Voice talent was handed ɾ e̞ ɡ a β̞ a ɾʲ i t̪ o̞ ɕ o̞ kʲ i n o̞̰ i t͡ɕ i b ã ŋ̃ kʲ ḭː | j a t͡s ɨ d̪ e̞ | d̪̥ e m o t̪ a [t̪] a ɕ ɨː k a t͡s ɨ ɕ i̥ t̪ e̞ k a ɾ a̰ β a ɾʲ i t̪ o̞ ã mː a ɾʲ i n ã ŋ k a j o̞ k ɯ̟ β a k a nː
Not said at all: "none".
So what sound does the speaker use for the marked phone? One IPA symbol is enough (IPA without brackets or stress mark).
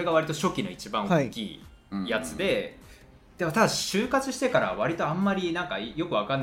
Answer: d̪